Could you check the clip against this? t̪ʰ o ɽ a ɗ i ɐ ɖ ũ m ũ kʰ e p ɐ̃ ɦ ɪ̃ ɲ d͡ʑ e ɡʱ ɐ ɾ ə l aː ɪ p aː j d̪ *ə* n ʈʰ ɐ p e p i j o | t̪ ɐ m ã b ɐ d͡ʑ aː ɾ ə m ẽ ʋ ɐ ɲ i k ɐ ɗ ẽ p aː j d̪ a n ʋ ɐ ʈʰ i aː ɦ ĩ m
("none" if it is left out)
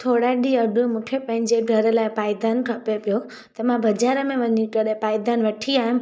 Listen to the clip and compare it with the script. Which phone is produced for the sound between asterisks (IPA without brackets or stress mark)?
a